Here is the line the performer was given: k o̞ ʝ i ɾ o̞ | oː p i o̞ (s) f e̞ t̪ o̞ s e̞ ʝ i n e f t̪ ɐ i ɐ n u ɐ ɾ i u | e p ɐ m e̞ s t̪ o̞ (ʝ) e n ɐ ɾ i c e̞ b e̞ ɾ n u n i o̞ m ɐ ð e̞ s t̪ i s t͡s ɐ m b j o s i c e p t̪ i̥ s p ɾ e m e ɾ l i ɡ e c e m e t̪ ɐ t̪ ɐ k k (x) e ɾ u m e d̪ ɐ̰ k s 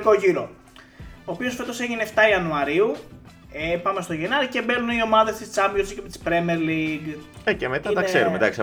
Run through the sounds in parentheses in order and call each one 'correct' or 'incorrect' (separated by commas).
correct, correct, incorrect